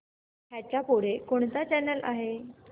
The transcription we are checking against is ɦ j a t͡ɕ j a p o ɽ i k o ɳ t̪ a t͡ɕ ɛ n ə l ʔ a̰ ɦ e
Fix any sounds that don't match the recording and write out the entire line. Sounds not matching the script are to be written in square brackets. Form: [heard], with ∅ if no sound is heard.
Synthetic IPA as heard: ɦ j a t͡ɕ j a p o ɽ [e] k o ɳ t̪ a t͡ɕ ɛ n ə l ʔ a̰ ɦ e